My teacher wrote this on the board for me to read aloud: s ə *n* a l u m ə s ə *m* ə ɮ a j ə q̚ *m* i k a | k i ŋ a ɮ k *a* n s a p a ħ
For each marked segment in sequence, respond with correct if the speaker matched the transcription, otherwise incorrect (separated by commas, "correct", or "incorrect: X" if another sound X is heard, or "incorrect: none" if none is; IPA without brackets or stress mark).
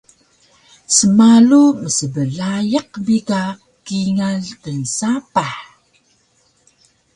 incorrect: m, incorrect: b, incorrect: b, incorrect: ə